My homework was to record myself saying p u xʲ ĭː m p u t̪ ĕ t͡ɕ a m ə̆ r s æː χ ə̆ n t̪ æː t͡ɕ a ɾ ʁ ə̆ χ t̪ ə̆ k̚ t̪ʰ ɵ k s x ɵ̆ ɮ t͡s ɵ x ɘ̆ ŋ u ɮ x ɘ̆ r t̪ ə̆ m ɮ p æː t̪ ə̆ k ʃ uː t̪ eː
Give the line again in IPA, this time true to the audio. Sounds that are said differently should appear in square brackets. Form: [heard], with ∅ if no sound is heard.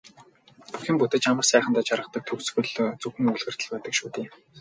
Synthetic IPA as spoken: p u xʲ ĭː m p u t̪ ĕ t͡ɕ a m ə̆ r s æː χ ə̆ n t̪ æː t͡ɕ a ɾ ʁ ə̆ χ t̪ ə̆ k̚ t̪ʰ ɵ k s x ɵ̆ ɮ t͡s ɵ x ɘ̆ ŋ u ɮ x ɘ̆ r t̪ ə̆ [∅] ɮ p æː t̪ ə̆ k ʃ uː t̪ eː